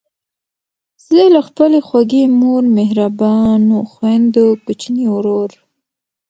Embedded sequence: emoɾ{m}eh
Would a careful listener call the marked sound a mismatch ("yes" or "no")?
no